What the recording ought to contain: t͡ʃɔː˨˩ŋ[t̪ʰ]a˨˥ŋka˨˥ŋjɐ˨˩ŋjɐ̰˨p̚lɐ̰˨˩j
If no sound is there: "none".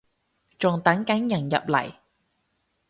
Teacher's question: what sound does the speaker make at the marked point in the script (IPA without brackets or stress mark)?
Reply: t̪